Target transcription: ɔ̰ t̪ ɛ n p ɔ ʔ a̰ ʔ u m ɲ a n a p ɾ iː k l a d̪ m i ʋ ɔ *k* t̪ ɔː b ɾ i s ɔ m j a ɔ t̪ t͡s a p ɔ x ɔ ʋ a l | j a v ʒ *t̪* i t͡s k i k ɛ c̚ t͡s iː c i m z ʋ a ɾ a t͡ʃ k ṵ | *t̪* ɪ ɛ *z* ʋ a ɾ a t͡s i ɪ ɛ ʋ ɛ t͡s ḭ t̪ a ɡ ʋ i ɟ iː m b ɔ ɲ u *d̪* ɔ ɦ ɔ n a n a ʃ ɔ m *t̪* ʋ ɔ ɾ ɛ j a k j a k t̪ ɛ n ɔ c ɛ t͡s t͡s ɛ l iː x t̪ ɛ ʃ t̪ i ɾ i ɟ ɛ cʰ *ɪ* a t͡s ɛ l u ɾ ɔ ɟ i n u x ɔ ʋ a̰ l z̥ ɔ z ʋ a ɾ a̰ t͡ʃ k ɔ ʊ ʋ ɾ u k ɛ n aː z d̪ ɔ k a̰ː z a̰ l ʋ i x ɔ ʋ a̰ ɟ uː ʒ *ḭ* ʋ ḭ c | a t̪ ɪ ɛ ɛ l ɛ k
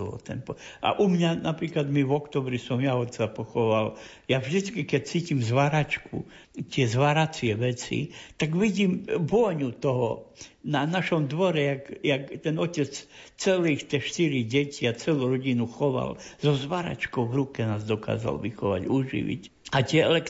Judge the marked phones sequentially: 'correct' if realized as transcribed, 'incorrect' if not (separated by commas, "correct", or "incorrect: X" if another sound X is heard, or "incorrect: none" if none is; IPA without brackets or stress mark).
correct, incorrect: d̪, correct, correct, incorrect: t̪, incorrect: d̪, incorrect: i, correct